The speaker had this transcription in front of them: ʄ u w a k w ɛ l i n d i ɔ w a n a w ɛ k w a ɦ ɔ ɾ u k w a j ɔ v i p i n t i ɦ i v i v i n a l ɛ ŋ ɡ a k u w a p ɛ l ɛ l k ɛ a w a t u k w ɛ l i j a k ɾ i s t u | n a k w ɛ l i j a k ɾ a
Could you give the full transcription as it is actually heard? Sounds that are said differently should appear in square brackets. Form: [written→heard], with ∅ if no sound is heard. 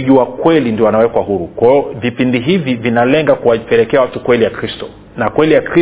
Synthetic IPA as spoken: ʄ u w a k w ɛ l i n d i ɔ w a n a w ɛ k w a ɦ [ɔ→u] ɾ u k w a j ɔ v i p i n [t→d] i ɦ i v i v i n a l ɛ ŋ ɡ a k u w a p ɛ l ɛ [l→∅] k ɛ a w a t u k w ɛ l i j a k ɾ i s t [u→ɔ] | n a k w ɛ l i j a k ɾ [a→i]